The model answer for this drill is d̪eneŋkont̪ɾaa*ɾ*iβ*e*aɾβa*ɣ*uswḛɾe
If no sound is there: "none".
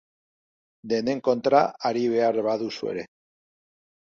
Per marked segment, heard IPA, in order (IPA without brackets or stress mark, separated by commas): ɾ, e, ð